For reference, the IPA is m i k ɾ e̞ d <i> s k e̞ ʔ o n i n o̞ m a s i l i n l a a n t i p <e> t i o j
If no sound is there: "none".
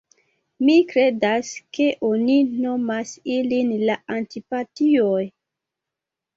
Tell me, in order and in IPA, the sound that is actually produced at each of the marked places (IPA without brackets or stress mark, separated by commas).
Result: a, a